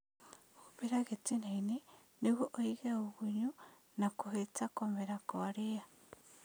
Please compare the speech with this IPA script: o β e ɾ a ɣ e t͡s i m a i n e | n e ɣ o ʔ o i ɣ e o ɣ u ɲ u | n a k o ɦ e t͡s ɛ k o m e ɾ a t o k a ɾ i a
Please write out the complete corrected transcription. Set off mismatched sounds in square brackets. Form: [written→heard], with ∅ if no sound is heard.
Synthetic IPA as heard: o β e ɾ a ɣ e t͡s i [m→n] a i n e | n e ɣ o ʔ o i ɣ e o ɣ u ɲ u | n a k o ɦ e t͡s [ɛ→a] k o m e ɾ a [t→k] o [k→∅] a ɾ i a